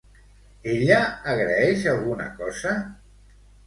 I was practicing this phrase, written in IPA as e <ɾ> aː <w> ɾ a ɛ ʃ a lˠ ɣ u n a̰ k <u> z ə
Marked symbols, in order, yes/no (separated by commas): no, no, no